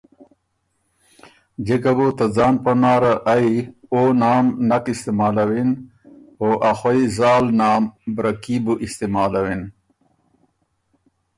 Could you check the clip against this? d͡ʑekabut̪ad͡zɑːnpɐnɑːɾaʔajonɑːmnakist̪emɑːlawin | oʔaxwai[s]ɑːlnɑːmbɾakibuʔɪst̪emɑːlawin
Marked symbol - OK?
no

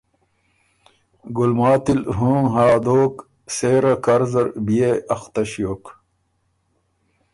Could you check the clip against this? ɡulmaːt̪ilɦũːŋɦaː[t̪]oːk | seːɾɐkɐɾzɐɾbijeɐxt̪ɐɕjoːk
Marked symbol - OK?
no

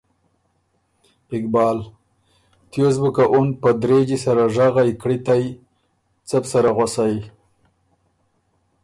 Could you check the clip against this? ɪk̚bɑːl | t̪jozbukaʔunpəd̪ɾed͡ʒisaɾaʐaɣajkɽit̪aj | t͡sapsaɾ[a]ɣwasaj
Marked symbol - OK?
yes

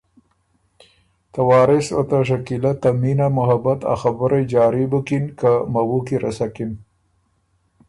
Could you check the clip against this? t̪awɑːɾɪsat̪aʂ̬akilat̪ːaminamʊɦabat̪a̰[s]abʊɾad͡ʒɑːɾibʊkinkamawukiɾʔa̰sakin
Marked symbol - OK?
no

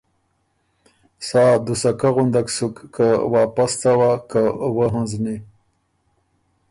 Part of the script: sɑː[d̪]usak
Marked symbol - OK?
yes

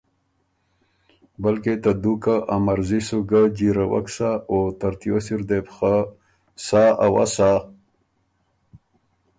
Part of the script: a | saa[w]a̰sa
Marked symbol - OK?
yes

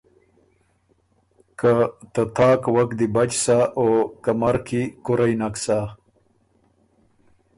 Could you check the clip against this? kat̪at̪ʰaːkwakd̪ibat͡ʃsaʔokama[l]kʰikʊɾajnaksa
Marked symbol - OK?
no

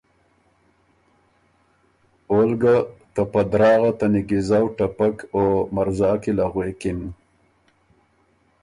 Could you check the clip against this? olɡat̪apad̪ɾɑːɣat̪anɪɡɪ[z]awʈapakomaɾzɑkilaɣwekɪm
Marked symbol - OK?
yes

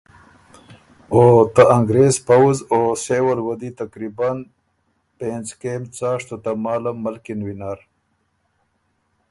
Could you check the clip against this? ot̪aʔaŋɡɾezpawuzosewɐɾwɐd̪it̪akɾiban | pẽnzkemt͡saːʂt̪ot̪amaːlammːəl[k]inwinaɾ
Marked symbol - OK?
yes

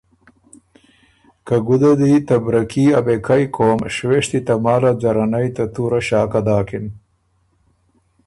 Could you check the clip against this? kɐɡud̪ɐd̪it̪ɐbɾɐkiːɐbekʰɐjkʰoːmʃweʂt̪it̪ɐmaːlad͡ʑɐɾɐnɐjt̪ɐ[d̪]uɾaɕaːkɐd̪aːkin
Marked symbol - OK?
no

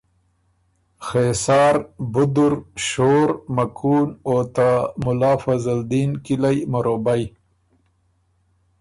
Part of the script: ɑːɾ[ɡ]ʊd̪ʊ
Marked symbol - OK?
no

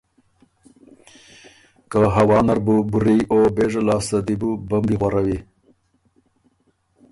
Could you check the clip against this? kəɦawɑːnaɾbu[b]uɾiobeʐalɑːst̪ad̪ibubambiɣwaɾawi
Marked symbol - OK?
yes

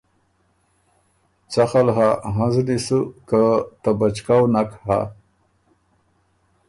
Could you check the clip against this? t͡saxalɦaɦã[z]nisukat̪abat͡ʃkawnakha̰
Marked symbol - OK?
yes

